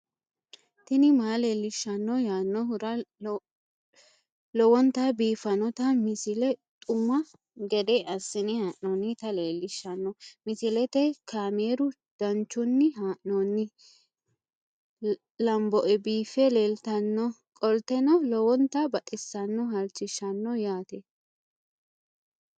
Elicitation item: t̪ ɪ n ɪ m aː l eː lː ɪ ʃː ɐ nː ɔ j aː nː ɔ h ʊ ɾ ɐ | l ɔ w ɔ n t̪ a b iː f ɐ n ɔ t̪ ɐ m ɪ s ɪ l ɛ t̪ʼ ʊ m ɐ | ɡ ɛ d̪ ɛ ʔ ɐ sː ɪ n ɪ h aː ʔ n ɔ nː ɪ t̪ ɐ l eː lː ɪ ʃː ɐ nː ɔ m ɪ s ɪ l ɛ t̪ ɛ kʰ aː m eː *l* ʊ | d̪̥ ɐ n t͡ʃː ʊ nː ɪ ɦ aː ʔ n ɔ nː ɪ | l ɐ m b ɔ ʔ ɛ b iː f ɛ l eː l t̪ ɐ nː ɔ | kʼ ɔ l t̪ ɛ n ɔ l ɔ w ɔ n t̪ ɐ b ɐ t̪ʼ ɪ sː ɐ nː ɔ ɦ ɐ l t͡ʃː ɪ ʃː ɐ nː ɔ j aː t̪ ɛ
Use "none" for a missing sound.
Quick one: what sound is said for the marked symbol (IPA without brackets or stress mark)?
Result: ɾ